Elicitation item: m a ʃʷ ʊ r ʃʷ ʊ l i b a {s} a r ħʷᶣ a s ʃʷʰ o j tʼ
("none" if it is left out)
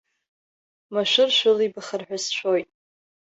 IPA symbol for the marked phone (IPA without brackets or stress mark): χ